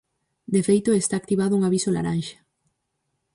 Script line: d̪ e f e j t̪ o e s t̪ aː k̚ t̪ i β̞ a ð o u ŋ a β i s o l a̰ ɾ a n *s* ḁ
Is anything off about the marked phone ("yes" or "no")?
yes